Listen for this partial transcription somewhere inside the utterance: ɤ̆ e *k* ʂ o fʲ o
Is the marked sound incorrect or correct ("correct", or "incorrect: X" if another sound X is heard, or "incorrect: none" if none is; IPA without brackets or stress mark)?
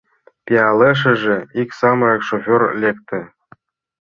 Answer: correct